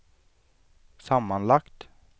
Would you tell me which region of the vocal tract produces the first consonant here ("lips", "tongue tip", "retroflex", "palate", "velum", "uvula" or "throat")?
tongue tip